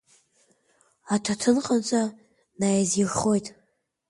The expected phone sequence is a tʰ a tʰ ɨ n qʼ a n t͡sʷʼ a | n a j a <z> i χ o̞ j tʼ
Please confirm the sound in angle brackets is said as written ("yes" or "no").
yes